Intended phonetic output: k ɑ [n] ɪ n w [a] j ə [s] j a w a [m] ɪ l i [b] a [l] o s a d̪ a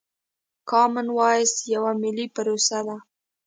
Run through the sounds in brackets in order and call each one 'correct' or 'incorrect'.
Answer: incorrect: m, incorrect: ɑ, correct, correct, incorrect: p, incorrect: ɾ

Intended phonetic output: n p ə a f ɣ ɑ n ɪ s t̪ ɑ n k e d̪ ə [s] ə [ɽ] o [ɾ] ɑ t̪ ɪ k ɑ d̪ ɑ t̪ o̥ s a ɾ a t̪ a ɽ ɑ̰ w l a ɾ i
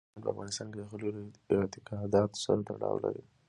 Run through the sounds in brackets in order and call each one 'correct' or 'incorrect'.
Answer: incorrect: x, incorrect: l, correct

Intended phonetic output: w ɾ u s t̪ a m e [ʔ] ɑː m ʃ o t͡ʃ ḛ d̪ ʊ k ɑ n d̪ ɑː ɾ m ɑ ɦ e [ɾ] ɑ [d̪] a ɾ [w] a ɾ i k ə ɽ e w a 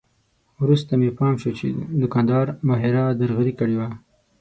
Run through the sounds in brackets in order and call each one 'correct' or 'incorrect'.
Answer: incorrect: p, correct, correct, incorrect: ɣ

